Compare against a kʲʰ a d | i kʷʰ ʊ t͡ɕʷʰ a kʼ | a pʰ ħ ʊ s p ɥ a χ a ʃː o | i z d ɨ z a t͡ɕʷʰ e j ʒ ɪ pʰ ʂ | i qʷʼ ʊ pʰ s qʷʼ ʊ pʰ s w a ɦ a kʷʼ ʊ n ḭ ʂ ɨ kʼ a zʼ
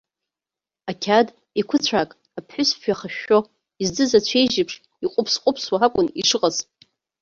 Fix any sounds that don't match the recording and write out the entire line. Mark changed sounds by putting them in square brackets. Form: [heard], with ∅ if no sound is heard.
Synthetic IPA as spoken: a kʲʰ a d | i kʷʰ ʊ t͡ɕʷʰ a kʼ | a pʰ ħ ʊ s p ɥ a χ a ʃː o | i z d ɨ z a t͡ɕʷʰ e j ʒ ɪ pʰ ʂ | i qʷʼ ʊ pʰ s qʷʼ ʊ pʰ s w a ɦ a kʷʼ ʊ n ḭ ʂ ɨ [qʼ] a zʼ